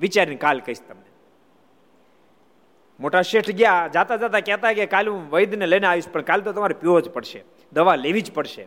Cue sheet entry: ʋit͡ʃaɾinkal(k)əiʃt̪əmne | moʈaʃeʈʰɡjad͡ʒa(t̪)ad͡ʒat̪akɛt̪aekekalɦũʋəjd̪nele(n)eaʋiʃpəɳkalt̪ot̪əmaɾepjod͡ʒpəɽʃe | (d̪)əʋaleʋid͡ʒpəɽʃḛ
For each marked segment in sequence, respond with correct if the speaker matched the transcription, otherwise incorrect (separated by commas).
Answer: correct, correct, correct, correct